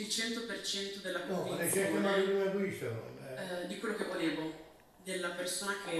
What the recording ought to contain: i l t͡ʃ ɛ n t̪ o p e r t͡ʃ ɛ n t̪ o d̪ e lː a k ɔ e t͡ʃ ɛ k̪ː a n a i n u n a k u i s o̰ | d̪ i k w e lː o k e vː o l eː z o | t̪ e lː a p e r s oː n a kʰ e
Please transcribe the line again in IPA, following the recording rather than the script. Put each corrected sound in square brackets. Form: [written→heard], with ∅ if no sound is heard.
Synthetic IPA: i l t͡ʃ ɛ n t̪ o p e r t͡ʃ ɛ n t̪ o d̪ e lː a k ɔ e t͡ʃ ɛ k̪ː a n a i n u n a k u i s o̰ | d̪ i k w e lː o k e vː o l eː [z→v] o | [t̪→d̪] e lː a p e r s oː n a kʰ e